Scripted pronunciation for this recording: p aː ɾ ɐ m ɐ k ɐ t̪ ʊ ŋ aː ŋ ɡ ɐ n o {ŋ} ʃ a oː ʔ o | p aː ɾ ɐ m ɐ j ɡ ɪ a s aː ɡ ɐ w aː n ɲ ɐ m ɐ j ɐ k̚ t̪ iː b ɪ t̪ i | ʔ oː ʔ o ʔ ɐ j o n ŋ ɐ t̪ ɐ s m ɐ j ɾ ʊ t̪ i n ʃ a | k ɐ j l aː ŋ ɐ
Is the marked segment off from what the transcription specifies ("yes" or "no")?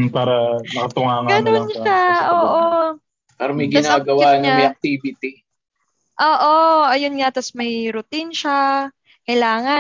yes